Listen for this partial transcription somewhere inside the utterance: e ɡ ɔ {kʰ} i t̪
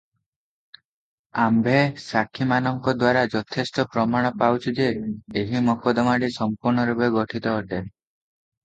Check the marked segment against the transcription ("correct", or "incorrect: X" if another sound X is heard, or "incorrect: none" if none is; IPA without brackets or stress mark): incorrect: ʈʰ